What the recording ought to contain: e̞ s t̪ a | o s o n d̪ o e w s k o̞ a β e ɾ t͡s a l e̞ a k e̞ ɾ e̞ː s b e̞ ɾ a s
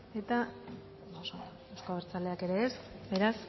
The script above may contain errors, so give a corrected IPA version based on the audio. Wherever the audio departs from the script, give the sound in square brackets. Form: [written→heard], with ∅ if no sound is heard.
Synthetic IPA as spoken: e̞ [s→∅] t̪ a | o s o n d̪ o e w s k o̞ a β e ɾ t͡s a l e̞ a k e̞ ɾ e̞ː s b e̞ ɾ a s